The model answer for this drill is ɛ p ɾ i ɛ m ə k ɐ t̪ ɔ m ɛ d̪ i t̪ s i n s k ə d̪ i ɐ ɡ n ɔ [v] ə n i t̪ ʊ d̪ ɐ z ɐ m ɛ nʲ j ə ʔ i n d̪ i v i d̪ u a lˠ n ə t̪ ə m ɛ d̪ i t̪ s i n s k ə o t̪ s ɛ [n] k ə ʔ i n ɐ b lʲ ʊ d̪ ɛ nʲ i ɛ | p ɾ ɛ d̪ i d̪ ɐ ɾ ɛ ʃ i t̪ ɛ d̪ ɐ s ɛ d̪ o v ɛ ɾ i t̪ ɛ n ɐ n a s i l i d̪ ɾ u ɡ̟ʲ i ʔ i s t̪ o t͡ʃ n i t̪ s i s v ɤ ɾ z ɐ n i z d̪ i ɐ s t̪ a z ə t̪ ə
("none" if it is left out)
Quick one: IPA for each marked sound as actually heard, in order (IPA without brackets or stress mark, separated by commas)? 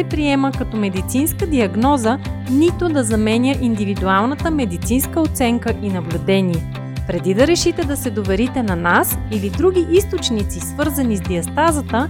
z, ŋ